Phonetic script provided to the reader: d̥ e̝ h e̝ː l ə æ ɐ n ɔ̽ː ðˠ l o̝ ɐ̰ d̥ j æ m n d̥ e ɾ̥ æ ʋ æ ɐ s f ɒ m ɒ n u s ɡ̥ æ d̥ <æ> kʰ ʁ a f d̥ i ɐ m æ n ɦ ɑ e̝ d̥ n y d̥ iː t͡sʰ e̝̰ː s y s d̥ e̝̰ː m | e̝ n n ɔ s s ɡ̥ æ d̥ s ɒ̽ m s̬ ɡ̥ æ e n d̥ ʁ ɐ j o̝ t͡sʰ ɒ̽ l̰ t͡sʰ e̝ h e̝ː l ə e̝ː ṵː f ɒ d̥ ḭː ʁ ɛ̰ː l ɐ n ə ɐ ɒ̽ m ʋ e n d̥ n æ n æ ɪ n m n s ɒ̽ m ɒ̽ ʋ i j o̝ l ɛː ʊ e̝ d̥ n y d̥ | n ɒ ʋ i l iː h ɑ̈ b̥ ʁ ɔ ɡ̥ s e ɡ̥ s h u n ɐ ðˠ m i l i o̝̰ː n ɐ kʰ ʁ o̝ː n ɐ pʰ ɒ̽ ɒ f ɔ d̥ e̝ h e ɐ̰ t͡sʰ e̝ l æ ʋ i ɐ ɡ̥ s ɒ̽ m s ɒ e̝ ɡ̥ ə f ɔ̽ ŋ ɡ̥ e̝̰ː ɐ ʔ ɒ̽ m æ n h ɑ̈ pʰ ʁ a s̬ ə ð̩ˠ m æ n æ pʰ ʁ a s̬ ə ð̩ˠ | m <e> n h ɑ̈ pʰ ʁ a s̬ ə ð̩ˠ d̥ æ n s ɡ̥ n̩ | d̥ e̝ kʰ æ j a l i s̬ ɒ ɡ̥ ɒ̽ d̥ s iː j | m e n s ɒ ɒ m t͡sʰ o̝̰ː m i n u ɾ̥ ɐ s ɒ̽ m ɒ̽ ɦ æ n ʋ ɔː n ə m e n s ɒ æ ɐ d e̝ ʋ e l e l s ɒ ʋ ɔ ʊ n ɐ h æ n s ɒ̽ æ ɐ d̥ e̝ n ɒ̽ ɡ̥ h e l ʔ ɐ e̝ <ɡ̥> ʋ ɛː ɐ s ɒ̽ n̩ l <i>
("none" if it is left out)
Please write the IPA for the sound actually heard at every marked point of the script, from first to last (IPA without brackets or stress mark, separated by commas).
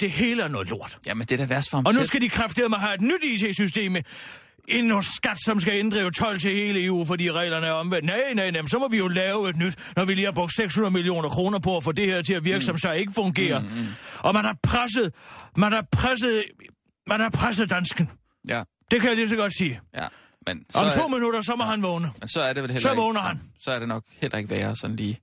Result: i, æ, ɡ̥, iː